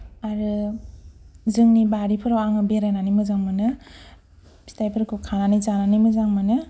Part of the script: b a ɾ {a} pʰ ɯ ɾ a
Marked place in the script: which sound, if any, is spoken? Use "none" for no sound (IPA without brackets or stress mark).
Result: i